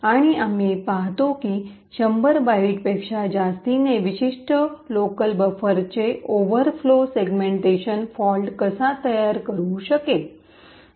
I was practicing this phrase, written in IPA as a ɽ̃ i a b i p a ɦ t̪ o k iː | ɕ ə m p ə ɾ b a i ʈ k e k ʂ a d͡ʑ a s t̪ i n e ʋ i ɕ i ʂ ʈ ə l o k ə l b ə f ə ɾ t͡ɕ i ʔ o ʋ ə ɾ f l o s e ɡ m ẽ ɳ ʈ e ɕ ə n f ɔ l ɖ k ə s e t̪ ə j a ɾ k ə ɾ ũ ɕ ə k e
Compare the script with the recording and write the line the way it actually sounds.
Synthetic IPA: a ɽ̃ i a m i p a ɦ t̪ o k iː | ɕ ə m b ə ɾ b a i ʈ p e k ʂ a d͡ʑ a s t̪ i n e ʋ i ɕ i ʂ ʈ ə l o k ə l b ə f ə ɾ t͡ɕ e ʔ o ʋ ə ɾ f l o s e ɡ m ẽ ɳ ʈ e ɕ ə n f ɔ l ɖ k ə s a t̪ ə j a ɾ k ə ɾ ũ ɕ ə k e